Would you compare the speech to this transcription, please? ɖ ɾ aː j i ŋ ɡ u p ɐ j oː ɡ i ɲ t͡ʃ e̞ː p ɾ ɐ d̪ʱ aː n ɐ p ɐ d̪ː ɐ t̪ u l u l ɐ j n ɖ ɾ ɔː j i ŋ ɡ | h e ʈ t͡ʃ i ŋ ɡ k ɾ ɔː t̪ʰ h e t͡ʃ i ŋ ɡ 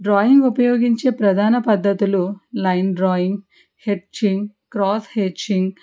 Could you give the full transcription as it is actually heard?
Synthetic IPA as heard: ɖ ɾ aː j i ŋ ɡ u p ɐ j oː ɡ i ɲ t͡ʃ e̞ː p ɾ ɐ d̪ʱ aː n ɐ p ɐ d̪ː ɐ t̪ u l u l ɐ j n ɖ ɾ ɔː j i ŋ ɡ | h e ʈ t͡ʃ i ŋ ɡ k ɾ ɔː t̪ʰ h e t͡ʃ i ŋ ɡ